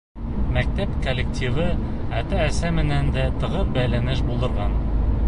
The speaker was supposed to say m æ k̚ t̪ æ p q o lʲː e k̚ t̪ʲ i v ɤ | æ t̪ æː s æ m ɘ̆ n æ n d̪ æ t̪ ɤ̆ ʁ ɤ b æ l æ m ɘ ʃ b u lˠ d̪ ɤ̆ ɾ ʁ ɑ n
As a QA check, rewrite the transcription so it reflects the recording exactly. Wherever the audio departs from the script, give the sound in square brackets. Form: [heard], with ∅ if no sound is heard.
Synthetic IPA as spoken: m æ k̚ t̪ æ p [k] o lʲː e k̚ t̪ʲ i v ɤ | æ t̪ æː s æ m ɘ̆ n æ n d̪ æ t̪ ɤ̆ ʁ ɤ b æ l æ [n] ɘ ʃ b u lˠ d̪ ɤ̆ ɾ ʁ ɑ n

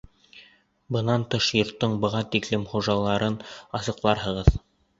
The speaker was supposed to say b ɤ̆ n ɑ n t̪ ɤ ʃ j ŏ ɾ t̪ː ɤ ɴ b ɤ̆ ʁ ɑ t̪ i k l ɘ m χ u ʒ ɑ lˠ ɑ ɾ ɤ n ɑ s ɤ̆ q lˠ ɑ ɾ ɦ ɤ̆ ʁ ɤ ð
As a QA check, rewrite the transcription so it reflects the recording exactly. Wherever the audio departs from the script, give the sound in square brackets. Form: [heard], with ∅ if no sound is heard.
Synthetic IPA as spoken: b ɤ̆ n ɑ n t̪ ɤ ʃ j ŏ ɾ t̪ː ɤ ɴ b ɤ̆ ʁ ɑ t̪ i k l ɘ m χ u ʒ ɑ lˠ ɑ ɾ ɤ n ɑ s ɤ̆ q lˠ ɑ ɾ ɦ ɤ̆ ʁ ɤ ð

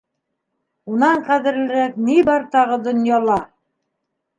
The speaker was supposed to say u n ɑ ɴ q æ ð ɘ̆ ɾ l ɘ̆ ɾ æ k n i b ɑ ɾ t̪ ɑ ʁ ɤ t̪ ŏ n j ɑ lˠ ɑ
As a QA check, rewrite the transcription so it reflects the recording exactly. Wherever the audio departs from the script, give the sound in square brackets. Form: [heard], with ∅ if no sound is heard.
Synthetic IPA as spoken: u n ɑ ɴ q æ ð ɘ̆ ɾ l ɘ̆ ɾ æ k n i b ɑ ɾ t̪ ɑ ʁ ɤ [d̪] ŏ n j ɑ lˠ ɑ

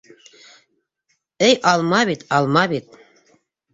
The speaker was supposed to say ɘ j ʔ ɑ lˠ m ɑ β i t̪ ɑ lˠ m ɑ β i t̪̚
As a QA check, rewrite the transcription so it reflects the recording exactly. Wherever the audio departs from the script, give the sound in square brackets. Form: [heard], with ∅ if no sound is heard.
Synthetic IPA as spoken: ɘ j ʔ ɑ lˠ m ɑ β i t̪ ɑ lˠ m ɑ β i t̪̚

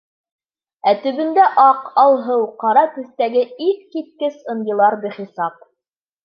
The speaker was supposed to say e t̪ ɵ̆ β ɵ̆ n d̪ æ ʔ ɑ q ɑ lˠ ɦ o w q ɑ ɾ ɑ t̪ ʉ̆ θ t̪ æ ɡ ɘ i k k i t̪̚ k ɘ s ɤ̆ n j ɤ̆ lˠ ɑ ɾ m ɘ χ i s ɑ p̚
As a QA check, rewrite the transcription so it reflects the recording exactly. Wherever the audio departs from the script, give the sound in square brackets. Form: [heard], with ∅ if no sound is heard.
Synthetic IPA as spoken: [æ] t̪ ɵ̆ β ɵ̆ n d̪ æ ʔ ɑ q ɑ lˠ ɦ [ɤ] w q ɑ ɾ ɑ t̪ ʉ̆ θ t̪ æ ɡ ɘ i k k i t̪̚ k ɘ s ɤ̆ n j ɤ̆ lˠ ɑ ɾ [b] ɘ χ i s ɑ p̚

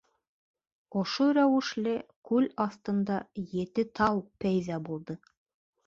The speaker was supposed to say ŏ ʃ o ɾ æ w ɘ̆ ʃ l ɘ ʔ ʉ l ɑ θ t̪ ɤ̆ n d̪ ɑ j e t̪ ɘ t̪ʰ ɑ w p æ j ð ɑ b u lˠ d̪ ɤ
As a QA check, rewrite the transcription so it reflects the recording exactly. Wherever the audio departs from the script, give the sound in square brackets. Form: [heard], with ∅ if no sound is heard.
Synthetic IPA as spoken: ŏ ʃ o ɾ æ w ɘ̆ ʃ l ɘ [k] ʉ l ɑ θ t̪ ɤ̆ n d̪ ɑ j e t̪ ɘ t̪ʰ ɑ w p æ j ð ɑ b u lˠ d̪ ɤ

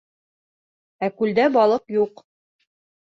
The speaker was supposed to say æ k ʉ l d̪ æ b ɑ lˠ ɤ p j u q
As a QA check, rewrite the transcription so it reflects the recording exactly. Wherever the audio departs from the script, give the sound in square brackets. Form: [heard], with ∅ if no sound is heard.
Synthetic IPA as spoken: æ k ʉ l d̪ æ b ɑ lˠ ɤ [q] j u q

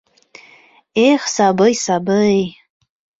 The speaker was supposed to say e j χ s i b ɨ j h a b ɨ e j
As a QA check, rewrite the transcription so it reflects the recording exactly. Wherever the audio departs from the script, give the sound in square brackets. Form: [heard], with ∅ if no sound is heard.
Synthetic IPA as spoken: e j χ s [a] b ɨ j [s] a b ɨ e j

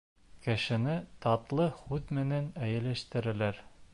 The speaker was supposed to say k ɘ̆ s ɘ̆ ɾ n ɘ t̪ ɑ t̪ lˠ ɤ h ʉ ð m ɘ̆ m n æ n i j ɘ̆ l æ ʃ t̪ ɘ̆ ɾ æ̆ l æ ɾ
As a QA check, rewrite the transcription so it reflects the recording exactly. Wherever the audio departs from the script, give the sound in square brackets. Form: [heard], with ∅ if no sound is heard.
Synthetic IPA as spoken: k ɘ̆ [ʃ] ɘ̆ [∅] n ɘ t̪ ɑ t̪ lˠ ɤ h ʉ ð m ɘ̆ [∅] n æ n [æ] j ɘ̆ l æ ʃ t̪ ɘ̆ ɾ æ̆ l æ ɾ

